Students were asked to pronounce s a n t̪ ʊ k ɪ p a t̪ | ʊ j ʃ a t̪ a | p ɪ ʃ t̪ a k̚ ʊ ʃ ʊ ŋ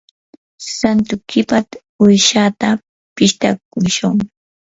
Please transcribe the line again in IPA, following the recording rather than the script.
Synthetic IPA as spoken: s a n t̪ ʊ k ɪ p a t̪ | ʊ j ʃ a t̪ a | p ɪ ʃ t̪ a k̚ ʊ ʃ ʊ ŋ

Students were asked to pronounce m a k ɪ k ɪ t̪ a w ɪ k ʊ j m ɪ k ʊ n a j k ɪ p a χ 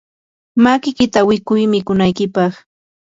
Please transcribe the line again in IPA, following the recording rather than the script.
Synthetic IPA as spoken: m a k ɪ k ɪ t̪ a w ɪ k ʊ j m ɪ k ʊ n a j k ɪ p ɑ χ

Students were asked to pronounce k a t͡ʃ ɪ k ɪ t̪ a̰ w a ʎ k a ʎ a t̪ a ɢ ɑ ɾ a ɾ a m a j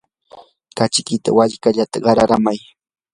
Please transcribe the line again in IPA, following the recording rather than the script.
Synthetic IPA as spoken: k a t͡ʃ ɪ k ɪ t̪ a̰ w a ʎ k a ʎ a t̪ a ɢ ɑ ɾ a ɾ a m a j

